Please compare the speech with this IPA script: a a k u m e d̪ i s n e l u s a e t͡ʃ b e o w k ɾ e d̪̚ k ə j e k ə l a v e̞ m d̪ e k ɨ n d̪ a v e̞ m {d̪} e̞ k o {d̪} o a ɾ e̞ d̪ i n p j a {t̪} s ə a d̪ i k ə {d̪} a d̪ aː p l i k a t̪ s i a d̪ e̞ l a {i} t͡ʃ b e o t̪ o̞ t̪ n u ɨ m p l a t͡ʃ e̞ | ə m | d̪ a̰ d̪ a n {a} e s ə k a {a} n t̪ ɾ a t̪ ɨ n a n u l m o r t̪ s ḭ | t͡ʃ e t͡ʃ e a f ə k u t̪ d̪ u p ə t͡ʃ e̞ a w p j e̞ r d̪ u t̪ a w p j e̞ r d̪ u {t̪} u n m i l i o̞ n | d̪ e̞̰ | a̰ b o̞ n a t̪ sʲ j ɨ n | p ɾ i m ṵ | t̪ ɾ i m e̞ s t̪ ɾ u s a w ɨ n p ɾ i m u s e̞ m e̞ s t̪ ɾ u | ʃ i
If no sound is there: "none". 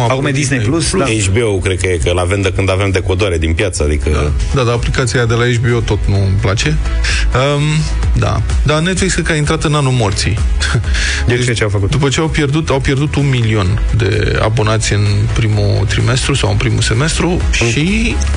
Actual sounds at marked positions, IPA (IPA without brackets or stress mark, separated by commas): d̪, d̪, t̪, d̪, e, e, i, t̪